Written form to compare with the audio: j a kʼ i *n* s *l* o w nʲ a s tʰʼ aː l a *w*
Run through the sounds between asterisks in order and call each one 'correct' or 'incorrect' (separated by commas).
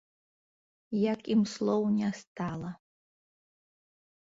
incorrect, correct, incorrect